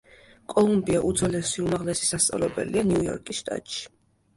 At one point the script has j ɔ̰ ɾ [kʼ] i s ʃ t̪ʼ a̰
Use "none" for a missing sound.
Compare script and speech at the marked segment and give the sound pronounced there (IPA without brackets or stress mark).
kʼ